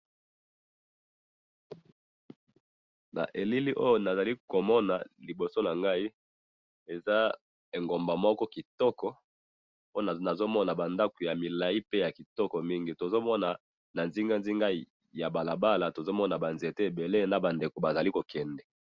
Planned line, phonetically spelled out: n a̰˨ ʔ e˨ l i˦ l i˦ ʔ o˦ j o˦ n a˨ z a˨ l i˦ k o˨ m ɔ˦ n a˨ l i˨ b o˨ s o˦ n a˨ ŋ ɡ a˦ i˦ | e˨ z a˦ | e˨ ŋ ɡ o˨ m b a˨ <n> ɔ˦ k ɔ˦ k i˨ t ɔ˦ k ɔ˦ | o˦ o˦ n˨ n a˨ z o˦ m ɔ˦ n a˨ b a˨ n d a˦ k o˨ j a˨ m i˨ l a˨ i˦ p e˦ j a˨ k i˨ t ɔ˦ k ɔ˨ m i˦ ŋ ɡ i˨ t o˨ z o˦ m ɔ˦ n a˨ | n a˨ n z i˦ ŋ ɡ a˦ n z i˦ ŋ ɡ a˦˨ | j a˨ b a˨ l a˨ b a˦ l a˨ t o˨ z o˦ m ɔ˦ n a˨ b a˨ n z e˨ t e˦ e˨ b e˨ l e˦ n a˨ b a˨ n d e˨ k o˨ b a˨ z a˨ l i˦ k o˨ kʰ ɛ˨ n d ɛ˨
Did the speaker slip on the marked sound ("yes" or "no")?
yes